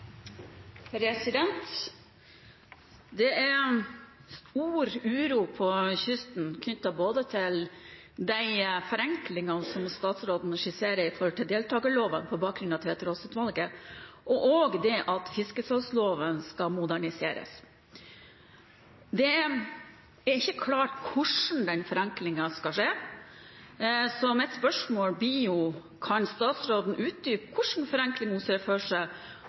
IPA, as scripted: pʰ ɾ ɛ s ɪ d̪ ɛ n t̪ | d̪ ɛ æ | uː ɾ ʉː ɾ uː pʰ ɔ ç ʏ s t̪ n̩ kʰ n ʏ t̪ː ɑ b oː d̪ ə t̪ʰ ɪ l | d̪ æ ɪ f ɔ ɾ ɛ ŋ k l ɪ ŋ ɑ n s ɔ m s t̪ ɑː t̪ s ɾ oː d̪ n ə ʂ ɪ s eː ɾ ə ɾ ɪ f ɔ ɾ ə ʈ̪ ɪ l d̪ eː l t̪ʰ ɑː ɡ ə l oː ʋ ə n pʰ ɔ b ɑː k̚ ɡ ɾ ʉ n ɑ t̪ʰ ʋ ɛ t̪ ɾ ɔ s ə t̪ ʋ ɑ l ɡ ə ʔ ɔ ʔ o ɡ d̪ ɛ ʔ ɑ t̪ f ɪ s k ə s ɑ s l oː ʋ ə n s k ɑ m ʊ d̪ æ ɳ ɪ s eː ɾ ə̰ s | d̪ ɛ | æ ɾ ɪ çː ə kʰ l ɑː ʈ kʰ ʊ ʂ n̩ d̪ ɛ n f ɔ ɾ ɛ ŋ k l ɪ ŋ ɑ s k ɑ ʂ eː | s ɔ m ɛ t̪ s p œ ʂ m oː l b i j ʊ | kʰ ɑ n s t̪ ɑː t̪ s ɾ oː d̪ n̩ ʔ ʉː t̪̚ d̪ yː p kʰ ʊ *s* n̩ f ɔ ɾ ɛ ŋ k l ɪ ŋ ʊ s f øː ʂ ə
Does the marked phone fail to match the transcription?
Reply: yes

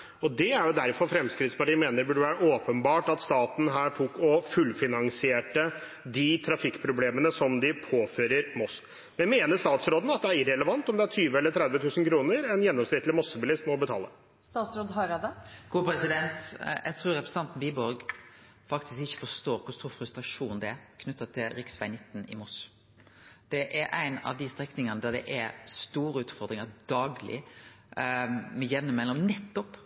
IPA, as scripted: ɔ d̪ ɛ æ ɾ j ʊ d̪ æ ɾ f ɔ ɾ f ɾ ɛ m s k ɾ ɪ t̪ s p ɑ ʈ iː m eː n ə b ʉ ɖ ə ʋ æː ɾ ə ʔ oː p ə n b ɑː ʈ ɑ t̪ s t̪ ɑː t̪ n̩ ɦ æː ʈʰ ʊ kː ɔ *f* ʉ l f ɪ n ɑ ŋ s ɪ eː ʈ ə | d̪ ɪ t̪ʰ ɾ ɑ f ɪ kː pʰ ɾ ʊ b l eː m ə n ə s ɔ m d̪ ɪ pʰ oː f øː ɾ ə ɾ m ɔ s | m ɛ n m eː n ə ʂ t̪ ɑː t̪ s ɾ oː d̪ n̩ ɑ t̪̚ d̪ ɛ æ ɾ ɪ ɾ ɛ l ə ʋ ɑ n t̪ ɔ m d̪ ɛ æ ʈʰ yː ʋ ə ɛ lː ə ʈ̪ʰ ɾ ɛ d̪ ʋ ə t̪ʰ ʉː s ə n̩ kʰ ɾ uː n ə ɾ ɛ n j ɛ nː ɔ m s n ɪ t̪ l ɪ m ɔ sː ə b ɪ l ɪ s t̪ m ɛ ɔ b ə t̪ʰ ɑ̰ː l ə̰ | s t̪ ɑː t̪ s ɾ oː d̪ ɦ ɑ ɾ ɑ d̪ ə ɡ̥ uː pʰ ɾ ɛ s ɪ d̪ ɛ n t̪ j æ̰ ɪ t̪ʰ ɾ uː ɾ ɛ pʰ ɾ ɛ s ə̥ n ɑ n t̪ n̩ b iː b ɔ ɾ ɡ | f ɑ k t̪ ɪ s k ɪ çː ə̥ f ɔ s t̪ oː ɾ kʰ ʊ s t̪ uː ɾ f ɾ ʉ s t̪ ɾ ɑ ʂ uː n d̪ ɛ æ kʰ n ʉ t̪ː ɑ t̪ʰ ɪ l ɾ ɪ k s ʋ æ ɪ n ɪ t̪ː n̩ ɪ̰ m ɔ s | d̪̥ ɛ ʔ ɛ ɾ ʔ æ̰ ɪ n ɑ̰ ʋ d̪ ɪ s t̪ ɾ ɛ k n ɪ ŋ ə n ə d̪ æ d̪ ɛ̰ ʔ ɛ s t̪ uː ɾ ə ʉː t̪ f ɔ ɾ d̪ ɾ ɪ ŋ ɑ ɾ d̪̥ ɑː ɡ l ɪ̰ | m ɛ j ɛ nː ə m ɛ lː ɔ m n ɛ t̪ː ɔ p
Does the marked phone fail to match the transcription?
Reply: no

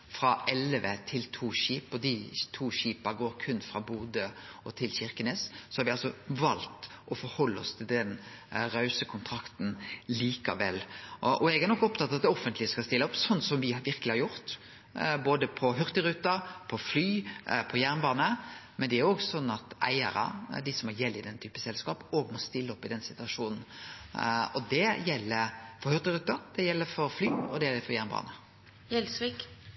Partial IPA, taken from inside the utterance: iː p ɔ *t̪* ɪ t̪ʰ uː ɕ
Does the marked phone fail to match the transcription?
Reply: yes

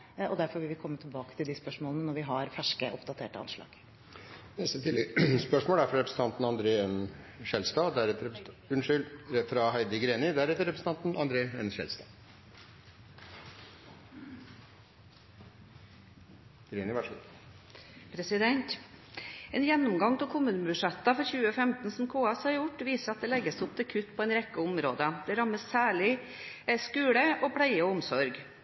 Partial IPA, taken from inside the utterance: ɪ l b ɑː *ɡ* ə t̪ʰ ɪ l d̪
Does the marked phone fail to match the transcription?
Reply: yes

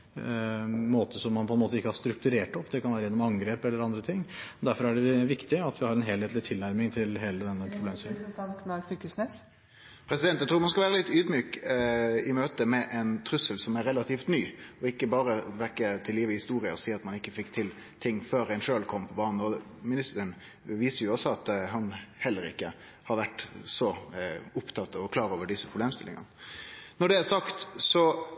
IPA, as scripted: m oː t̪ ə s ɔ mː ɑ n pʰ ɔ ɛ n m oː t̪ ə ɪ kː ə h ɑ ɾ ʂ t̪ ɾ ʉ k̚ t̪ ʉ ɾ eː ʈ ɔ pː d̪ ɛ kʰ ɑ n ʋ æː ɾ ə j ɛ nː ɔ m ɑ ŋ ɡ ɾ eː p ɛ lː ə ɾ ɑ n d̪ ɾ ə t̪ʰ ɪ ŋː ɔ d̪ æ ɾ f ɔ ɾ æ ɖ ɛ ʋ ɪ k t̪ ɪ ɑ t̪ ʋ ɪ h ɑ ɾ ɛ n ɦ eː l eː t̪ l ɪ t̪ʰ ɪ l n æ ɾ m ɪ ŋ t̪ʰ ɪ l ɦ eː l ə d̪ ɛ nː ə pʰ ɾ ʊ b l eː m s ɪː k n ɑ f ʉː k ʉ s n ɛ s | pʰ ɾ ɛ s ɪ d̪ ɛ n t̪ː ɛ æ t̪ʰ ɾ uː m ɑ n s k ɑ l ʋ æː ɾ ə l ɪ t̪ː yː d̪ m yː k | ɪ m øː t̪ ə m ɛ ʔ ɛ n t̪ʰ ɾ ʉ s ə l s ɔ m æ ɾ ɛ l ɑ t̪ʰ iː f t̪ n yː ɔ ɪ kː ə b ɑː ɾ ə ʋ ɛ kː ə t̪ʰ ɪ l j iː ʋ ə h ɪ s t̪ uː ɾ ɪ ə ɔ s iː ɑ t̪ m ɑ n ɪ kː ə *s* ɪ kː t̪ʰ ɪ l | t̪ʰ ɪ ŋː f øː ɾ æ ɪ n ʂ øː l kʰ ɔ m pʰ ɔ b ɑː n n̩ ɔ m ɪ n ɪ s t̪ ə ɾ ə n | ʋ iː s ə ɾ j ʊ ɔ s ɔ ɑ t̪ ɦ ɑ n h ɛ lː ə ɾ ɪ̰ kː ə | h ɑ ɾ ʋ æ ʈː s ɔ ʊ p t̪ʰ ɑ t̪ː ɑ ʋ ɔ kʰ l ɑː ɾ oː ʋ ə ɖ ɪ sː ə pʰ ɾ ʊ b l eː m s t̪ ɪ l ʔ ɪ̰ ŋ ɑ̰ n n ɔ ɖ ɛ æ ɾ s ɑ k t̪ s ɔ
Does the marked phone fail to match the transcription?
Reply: yes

